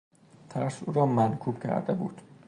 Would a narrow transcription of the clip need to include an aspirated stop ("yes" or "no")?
yes